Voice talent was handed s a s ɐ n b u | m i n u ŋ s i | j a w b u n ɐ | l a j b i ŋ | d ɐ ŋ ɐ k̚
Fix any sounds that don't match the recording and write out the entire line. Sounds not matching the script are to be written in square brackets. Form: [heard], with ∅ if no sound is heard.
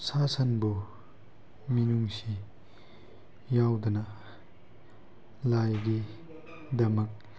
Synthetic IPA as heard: s a s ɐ n b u | m i n u ŋ s i | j a w [d] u n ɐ | l a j [ɡ] i [∅] | d ɐ [m] ɐ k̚

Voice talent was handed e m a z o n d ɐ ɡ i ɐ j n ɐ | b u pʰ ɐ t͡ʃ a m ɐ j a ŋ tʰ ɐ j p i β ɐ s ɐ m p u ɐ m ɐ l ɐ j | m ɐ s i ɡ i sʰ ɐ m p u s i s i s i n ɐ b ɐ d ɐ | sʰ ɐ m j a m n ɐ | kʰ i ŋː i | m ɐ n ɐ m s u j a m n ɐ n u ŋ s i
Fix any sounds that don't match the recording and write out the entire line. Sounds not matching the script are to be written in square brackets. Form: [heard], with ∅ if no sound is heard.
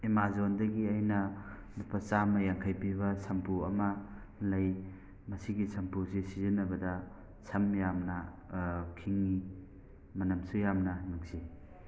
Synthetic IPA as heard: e m a z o n d ɐ ɡ i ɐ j n ɐ | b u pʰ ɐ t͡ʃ a m ɐ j a ŋ [kʰ] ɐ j p i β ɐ s ɐ m p u ɐ m ɐ l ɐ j | m ɐ s i ɡ i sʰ ɐ m p u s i s i [z] i n ɐ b ɐ d ɐ | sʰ ɐ m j a m n ɐ | kʰ i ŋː i | m ɐ n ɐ m s u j a m n ɐ n u ŋ s i

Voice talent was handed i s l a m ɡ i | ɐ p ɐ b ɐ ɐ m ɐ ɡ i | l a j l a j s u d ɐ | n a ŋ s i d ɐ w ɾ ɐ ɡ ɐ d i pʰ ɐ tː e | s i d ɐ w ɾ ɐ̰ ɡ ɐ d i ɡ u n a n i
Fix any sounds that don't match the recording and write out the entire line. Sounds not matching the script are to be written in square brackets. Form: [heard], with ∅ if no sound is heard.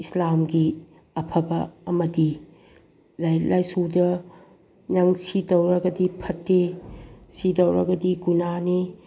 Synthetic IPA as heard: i s l a m ɡ i | ɐ [pʰ] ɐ b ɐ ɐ m ɐ [d] i | l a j l a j s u d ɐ | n a ŋ s i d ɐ w ɾ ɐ ɡ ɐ d i pʰ ɐ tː e | s i d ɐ w ɾ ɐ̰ ɡ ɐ d i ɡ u n a n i

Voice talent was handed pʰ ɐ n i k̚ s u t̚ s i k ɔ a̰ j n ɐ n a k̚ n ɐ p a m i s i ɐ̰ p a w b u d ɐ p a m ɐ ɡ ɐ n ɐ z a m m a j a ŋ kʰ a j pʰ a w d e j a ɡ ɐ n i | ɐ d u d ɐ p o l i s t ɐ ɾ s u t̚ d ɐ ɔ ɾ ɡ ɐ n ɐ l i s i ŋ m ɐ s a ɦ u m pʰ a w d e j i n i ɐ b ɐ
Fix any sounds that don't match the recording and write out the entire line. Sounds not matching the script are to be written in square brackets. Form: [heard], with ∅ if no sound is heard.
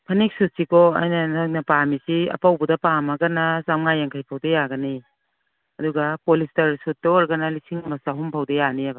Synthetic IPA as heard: pʰ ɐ n i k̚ s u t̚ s i k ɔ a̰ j n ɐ n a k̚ n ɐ p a m i s i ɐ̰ p a w b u d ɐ p a m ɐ ɡ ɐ n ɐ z a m [ŋ] a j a ŋ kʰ a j pʰ a w d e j a ɡ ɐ n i | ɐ d u [ɡ] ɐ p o l i s t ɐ ɾ s u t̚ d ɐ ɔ ɾ ɡ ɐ n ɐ l i s i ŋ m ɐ s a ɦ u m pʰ a w d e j [a] n i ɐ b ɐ

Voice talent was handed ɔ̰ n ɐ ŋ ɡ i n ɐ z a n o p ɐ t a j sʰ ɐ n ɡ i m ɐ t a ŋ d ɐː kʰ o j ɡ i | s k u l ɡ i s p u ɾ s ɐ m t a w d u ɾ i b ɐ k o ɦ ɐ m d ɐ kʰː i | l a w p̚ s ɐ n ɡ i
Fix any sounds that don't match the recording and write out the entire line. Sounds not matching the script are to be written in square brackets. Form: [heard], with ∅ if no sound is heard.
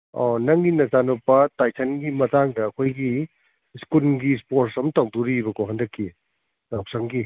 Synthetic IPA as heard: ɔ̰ n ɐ ŋ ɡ i n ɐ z a n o p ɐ t a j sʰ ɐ n ɡ i m ɐ t a ŋ d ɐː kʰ o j ɡ i | s k u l ɡ i s p [o] ɾ s ɐ m t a w d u ɾ i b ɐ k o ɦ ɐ [n] d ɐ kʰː i | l a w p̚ s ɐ [ŋ] ɡ i

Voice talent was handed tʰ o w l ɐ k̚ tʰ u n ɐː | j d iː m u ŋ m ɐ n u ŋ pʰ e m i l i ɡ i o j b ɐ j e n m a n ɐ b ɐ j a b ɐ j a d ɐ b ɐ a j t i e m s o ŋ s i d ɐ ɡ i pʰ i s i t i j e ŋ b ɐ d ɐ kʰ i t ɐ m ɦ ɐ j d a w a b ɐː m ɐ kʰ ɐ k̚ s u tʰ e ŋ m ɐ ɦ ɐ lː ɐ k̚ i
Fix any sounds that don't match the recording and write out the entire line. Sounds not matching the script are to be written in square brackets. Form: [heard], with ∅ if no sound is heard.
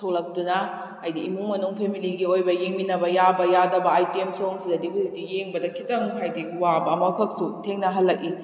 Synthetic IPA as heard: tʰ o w l ɐ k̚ [t] u n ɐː | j d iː m u ŋ m ɐ n u ŋ pʰ e m i l i ɡ i o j b ɐ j e [ŋ] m [i] n ɐ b ɐ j a b ɐ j a d ɐ b ɐ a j t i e m s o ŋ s i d ɐ [d] i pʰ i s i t i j e ŋ b ɐ d ɐ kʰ i t ɐ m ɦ [a] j d [i] w a b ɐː m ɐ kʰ ɐ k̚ s u tʰ e ŋ [n] ɐ ɦ ɐ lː ɐ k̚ i

